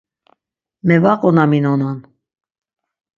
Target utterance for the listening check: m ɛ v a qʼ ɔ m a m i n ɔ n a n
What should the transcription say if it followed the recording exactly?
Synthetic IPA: m ɛ v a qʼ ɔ n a m i n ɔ n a n

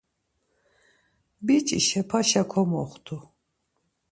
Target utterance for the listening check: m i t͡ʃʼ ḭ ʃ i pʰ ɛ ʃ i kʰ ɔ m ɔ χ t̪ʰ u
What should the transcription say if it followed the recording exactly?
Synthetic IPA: b i t͡ʃʼ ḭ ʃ ɛ pʰ a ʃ a kʰ ɔ m ɔ χ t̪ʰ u

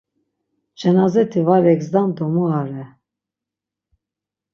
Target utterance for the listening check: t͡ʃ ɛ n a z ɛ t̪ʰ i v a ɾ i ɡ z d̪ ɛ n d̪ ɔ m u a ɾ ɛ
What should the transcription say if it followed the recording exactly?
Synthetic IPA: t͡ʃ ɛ n a z ɛ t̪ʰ i v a ɾ ɛ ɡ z d̪ a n d̪ ɔ m u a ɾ ɛ

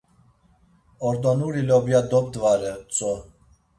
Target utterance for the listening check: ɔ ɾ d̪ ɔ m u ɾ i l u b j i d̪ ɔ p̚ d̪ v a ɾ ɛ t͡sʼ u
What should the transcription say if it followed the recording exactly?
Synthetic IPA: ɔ ɾ d̪ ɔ n u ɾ i l ɔ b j a d̪ ɔ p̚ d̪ v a ɾ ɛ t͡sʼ ɔ

